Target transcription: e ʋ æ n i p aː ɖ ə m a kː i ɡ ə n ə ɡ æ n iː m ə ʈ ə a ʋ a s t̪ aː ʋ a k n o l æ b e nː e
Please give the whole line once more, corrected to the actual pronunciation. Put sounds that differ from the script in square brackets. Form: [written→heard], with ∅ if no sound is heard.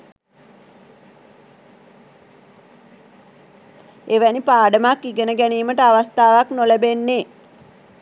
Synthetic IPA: e ʋ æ n i p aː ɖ ə m a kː i ɡ ə n ə ɡ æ n iː m ə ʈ ə a ʋ a s t̪ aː ʋ a k n o l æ b e nː e